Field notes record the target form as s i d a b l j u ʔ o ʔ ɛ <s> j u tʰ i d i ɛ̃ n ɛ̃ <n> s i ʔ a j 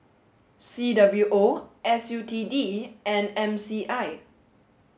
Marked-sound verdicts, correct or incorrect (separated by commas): correct, incorrect